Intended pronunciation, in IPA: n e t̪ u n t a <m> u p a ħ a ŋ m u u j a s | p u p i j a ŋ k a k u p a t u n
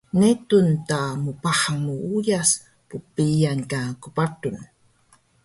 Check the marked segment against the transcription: correct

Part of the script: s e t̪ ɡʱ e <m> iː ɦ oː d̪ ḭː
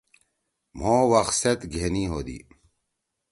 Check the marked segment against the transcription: incorrect: n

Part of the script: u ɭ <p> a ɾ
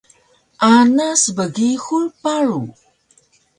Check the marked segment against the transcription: correct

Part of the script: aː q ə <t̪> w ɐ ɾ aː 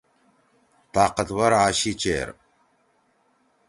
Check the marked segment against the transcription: correct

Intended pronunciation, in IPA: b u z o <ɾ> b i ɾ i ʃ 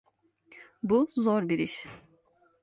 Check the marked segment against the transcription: correct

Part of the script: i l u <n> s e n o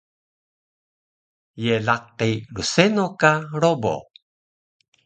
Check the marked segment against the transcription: incorrect: none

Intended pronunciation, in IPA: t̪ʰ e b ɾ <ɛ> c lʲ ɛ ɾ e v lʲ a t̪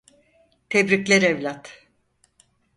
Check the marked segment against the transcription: incorrect: i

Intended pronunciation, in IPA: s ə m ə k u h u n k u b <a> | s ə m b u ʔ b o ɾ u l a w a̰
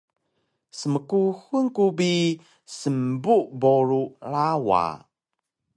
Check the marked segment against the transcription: incorrect: i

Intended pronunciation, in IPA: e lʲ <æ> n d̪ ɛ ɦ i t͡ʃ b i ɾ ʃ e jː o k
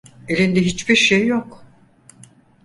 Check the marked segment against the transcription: incorrect: i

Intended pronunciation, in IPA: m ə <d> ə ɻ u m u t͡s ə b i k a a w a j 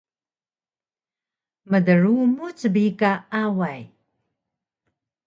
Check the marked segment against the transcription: correct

